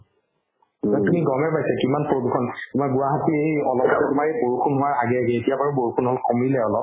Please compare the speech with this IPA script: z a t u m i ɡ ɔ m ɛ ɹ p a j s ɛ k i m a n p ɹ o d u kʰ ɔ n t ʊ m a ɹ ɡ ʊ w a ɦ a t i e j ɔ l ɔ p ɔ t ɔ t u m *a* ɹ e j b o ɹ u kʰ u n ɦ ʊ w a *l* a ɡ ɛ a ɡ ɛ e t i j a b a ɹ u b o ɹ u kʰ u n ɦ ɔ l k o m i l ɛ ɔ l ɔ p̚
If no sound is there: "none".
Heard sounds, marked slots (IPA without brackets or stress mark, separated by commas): a, ɹ